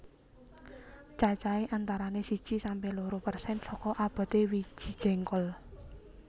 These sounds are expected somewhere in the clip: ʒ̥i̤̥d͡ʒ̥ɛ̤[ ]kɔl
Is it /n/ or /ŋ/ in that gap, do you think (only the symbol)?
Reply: ŋ